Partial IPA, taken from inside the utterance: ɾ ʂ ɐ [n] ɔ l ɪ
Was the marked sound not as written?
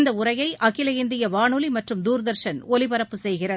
no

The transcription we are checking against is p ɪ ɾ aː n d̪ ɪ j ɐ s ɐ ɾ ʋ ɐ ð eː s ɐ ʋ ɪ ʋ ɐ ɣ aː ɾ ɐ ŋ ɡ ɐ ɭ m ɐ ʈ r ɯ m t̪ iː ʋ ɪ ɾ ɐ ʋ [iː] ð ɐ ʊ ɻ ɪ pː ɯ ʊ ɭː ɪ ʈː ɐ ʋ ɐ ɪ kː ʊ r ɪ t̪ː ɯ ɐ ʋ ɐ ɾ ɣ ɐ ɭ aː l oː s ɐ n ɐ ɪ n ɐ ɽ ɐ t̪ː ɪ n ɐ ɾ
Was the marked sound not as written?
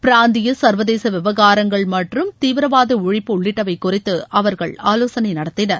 yes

